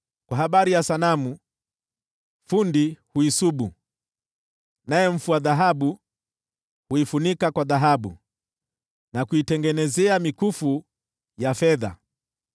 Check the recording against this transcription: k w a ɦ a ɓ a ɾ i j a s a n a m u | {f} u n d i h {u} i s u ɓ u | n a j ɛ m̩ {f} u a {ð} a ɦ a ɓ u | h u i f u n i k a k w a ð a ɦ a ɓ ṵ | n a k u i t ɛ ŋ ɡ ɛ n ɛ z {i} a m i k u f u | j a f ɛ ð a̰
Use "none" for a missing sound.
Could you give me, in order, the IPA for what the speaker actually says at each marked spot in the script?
f, u, f, ð, ɛ

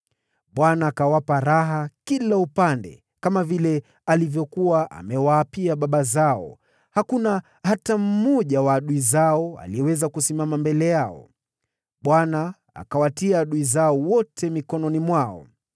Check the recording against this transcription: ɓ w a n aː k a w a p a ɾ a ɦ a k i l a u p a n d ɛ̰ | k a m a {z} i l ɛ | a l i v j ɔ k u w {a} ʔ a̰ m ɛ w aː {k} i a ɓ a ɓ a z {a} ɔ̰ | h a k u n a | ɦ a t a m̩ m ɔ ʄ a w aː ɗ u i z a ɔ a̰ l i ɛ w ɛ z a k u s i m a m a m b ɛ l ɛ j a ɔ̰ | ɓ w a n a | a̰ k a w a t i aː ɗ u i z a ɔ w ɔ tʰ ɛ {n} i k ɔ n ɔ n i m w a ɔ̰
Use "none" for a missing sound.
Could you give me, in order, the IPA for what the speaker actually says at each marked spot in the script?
v, a, p, a, m

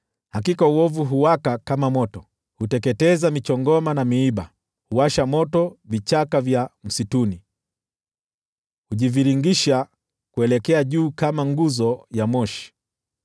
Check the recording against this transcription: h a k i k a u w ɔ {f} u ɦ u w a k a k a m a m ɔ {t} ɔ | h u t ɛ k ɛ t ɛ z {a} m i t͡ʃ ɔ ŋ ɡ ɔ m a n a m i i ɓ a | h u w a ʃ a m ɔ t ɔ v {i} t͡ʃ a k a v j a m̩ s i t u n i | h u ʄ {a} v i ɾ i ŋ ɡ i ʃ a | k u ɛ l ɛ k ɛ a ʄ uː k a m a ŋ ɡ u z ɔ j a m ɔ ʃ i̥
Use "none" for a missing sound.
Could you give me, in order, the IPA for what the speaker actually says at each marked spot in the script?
v, t, a, i, i

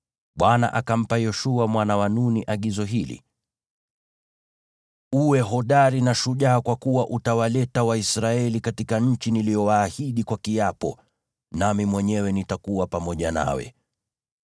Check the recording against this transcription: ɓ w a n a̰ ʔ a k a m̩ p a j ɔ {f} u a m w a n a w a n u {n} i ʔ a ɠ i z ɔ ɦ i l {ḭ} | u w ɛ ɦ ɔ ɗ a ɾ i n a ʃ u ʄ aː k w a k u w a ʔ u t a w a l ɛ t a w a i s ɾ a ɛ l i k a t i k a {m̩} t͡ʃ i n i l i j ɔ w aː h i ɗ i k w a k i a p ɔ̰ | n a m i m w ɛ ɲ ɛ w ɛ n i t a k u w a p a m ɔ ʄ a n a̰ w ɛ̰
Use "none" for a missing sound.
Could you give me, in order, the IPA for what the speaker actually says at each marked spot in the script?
ʃ, n, ḭ, ɲ̩

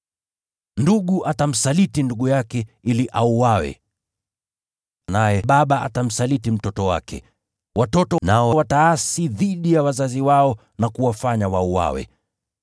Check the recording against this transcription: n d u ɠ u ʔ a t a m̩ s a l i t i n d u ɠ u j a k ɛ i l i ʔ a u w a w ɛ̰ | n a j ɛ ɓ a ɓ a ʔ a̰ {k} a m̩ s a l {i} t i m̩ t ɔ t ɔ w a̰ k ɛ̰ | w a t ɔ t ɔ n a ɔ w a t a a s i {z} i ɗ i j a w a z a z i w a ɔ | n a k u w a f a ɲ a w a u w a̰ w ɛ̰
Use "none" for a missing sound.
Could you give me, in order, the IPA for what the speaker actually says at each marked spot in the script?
t, i, ð

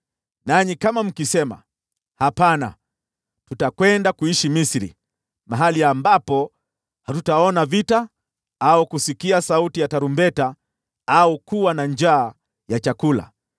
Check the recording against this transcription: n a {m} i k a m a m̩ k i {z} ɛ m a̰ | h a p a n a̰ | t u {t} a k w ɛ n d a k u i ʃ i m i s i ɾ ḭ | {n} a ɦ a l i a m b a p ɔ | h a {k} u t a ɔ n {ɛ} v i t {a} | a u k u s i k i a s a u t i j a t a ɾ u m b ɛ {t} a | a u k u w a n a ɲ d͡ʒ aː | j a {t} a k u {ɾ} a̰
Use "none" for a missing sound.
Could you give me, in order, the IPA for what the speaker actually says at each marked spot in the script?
ɲ, s, t, m, t, a, a, t, t͡ʃ, l

